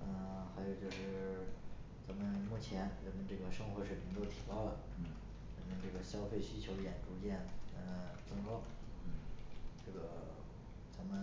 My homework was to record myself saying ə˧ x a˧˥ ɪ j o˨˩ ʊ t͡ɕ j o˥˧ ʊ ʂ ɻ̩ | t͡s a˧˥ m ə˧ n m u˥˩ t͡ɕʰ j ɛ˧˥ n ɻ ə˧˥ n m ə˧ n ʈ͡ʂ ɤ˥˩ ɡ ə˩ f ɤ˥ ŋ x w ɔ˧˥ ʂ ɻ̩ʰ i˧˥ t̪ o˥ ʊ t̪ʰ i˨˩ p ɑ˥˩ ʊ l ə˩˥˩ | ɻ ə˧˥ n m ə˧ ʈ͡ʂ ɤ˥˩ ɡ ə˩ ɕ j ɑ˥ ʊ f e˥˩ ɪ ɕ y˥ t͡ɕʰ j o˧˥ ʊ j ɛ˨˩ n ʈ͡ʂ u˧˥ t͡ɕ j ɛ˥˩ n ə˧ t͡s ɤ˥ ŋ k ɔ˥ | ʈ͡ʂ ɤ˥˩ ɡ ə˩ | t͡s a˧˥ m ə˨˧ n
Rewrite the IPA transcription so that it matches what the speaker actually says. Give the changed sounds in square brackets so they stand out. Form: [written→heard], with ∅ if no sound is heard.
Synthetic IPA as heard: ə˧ x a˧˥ ɪ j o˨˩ ʊ t͡ɕ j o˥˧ ʊ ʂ ɻ̩ | t͡s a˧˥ m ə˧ n m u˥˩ t͡ɕʰ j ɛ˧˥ n ɻ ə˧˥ n m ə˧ n ʈ͡ʂ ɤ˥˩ ɡ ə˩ [f→ʂ] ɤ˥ ŋ x w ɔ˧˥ ʂ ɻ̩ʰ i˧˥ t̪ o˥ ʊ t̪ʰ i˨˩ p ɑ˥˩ ʊ l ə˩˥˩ | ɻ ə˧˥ n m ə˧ ʈ͡ʂ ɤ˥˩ ɡ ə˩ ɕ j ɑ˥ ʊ f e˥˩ ɪ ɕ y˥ t͡ɕʰ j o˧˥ ʊ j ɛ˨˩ n ʈ͡ʂ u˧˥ t͡ɕ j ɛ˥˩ n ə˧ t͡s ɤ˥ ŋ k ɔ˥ | ʈ͡ʂ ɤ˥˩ ɡ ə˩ | t͡s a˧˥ m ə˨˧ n